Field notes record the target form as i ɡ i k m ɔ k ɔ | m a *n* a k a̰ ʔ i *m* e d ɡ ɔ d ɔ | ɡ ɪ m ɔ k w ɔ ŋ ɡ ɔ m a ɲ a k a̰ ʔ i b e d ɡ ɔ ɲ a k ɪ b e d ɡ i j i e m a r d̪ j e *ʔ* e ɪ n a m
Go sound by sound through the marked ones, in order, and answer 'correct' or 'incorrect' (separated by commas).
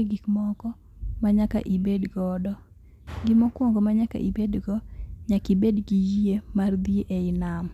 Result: incorrect, incorrect, correct